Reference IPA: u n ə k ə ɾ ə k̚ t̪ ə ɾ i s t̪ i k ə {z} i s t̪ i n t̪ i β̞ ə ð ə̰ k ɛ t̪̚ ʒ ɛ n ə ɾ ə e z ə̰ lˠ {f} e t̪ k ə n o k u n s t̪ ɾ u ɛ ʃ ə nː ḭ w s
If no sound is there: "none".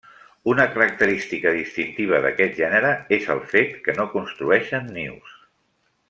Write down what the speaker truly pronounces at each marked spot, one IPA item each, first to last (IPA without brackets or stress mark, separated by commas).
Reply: ð, f